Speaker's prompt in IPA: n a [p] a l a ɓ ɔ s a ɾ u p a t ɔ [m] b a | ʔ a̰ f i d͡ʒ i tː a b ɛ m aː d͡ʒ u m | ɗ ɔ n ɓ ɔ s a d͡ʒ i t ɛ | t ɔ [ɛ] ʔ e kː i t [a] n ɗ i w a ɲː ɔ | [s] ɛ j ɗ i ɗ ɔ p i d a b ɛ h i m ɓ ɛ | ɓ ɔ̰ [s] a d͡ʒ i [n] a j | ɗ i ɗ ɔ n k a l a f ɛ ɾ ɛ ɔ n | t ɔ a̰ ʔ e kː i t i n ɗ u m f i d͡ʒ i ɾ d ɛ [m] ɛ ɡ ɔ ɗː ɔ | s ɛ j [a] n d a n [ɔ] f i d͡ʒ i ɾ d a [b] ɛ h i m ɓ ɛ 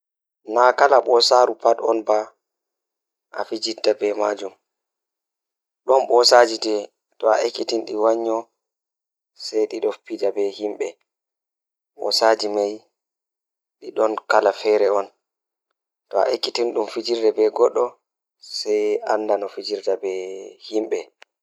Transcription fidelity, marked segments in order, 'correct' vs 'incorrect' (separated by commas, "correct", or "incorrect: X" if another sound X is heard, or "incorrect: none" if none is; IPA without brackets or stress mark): incorrect: k, incorrect: n, incorrect: a, incorrect: i, correct, correct, incorrect: m, incorrect: b, correct, correct, correct